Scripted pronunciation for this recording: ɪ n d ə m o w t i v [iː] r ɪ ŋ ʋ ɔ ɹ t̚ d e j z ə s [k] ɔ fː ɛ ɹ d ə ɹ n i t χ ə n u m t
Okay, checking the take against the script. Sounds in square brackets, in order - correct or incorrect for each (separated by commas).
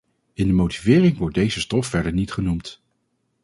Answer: incorrect, incorrect